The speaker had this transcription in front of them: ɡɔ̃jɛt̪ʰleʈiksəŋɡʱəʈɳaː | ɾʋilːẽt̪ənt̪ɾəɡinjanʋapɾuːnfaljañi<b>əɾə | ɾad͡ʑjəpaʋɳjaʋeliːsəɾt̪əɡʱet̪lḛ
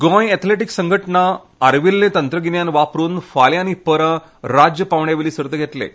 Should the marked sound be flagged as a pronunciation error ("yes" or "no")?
yes